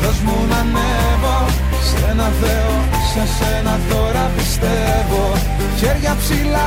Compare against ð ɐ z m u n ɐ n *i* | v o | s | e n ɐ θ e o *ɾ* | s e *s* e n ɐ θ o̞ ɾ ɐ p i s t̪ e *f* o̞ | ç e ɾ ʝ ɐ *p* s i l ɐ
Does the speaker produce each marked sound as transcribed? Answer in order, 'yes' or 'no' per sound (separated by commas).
no, no, yes, no, yes